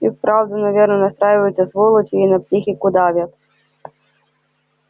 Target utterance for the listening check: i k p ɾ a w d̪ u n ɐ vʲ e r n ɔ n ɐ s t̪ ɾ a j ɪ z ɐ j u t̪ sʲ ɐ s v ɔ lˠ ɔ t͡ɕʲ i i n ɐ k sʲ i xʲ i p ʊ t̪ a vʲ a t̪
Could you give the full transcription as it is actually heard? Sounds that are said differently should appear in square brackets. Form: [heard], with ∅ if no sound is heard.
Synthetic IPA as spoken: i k p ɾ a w d̪ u n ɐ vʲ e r n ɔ n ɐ s t̪ ɾ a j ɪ [v] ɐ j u t̪ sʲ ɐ s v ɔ lˠ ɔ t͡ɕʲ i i n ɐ [p] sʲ i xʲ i [k] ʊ [d̪] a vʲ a t̪